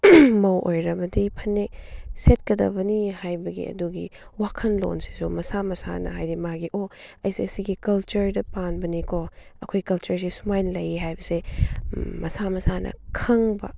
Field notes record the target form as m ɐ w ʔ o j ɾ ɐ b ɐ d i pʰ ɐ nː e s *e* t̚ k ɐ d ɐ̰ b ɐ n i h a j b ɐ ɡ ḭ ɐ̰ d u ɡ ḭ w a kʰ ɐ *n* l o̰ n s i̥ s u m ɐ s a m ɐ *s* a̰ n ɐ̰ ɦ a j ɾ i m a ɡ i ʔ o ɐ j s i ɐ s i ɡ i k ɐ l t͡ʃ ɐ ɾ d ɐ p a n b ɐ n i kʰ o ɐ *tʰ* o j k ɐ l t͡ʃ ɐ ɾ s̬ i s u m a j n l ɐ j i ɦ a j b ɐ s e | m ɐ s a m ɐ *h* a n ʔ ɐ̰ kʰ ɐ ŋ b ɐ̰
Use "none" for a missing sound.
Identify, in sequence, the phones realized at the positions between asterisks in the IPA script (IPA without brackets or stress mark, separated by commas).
e, n, s, kʰ, s